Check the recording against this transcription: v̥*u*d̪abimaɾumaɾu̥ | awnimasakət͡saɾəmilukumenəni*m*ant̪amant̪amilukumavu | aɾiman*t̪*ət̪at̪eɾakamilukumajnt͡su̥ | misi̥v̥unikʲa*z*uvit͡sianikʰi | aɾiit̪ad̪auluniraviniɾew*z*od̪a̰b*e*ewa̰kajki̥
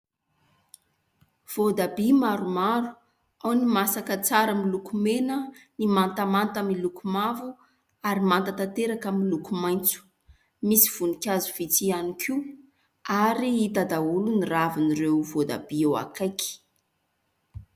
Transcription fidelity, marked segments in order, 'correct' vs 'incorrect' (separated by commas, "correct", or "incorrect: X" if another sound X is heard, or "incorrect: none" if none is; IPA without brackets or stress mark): incorrect: o, correct, correct, correct, incorrect: v, incorrect: i